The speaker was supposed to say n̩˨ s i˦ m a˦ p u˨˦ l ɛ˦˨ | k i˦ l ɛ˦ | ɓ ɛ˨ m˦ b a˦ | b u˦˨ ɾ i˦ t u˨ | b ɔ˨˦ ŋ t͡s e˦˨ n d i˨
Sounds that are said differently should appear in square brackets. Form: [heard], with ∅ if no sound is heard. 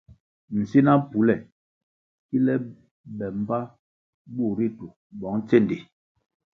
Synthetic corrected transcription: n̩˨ s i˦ [n] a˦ p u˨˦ l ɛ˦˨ | k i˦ l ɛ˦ | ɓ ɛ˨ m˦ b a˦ | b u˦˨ ɾ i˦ t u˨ | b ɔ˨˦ ŋ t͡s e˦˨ n d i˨

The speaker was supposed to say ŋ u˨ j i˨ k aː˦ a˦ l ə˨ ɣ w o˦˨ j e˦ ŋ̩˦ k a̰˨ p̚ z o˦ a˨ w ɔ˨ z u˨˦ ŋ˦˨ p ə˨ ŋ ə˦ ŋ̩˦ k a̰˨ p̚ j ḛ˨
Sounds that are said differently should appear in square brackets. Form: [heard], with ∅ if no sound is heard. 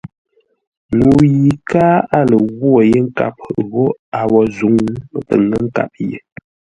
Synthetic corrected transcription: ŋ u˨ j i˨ k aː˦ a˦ l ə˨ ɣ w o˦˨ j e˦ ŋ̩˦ k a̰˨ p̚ [ɣ] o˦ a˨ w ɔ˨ z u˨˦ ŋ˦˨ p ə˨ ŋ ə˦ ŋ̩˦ k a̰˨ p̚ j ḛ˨

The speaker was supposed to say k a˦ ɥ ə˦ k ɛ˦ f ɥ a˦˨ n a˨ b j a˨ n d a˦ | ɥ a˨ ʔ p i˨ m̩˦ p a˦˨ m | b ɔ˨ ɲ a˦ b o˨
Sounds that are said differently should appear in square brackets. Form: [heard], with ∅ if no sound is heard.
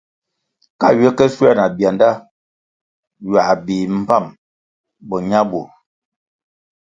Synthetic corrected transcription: k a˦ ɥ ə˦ k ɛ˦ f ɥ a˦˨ n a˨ b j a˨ n d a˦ | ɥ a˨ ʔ [b] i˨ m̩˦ p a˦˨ m | b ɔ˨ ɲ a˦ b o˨

